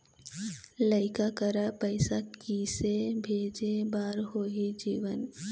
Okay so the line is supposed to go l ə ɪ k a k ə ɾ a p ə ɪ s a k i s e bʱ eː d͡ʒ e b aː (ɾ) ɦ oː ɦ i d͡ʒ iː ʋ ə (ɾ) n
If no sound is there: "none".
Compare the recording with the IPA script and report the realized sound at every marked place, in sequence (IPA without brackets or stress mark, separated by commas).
ɾ, none